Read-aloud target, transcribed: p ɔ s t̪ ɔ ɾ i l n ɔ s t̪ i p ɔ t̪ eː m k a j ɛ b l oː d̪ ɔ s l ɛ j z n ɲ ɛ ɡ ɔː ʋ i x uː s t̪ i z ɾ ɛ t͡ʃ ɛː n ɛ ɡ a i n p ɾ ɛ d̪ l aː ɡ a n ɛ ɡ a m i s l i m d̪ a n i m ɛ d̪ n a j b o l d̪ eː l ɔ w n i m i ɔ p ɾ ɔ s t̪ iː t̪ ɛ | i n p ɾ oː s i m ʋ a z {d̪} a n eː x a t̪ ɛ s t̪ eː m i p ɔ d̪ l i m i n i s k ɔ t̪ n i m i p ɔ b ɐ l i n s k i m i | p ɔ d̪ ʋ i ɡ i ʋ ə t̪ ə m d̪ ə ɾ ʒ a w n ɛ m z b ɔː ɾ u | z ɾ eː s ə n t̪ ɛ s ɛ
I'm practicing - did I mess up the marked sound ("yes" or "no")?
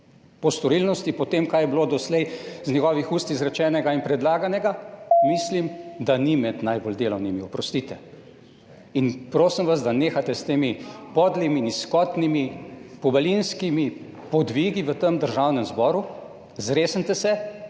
no